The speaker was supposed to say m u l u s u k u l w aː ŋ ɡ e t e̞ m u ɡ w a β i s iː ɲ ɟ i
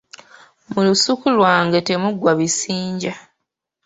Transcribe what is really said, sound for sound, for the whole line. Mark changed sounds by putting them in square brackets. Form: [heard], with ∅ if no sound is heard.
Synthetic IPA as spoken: m u l u s u k u l w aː ŋ ɡ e t e̞ m u ɡ w a β i s iː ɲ ɟ [a]